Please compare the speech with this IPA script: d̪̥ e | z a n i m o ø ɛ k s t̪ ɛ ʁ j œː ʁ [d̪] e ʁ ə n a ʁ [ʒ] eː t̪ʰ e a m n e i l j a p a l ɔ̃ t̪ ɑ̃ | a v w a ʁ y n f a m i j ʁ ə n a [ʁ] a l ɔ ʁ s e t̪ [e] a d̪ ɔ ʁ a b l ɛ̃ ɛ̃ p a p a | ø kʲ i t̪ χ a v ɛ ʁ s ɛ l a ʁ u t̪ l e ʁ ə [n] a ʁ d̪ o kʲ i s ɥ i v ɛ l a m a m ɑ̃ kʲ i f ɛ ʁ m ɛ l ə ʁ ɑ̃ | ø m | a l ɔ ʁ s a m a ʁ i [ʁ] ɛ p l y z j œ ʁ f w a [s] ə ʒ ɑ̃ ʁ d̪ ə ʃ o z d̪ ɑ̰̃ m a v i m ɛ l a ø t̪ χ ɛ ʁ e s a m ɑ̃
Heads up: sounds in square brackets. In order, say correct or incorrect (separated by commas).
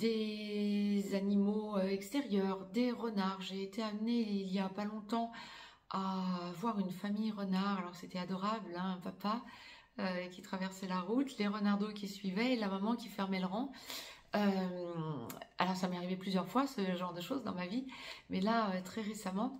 correct, correct, correct, incorrect, correct, incorrect, correct